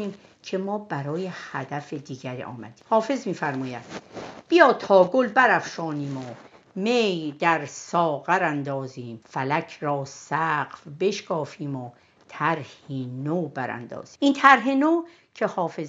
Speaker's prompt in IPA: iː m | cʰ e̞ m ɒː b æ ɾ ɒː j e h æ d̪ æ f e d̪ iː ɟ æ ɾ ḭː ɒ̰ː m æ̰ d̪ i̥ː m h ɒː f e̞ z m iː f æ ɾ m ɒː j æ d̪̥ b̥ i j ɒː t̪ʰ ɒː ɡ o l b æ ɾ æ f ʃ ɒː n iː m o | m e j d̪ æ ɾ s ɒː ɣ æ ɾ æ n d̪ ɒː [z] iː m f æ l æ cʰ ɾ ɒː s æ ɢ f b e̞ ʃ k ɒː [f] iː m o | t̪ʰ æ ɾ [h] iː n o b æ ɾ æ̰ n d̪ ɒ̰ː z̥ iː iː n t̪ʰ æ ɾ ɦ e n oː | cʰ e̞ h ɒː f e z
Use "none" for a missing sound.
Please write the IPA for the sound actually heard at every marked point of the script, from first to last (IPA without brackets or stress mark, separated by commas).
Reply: z, f, h